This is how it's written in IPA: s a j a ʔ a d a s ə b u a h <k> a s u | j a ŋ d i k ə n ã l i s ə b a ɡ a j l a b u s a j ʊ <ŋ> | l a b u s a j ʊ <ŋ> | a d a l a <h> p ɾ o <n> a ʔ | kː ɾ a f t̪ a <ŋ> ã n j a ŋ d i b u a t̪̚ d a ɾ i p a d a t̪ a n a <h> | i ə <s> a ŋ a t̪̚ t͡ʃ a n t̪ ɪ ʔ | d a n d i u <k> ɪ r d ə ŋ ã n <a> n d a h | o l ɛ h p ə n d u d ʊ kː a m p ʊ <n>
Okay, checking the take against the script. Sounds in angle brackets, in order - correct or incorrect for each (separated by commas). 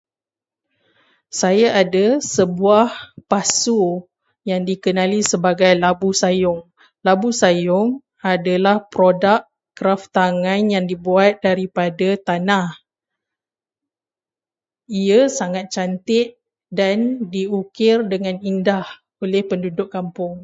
incorrect, correct, correct, correct, incorrect, correct, correct, correct, correct, incorrect, incorrect